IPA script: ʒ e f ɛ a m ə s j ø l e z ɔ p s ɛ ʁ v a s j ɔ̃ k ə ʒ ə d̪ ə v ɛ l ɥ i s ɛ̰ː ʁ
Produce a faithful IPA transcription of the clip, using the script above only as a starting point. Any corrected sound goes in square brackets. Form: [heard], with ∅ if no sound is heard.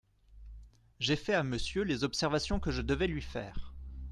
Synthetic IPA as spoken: ʒ e f ɛ a m ə s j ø l e z ɔ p s ɛ ʁ v a s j ɔ̃ k ə ʒ ə d̪ ə v ɛ l ɥ i [f] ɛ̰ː ʁ